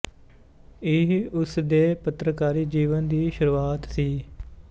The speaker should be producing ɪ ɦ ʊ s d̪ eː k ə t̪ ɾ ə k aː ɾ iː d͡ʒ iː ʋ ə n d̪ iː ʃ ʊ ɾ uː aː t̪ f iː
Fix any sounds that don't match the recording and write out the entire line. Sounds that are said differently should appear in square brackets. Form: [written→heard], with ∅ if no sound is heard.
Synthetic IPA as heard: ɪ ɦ ʊ s d̪ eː [k→p] ə t̪ ɾ ə k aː ɾ iː d͡ʒ iː ʋ ə n d̪ iː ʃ ʊ ɾ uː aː t̪ [f→s] iː